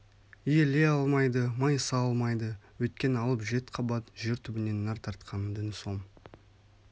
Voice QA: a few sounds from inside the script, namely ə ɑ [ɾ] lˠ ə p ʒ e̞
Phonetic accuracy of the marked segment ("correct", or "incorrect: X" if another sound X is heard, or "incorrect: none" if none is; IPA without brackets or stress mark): incorrect: none